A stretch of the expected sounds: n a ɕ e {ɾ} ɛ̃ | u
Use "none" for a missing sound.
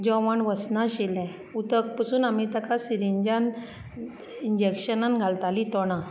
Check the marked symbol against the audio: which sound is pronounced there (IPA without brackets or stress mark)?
l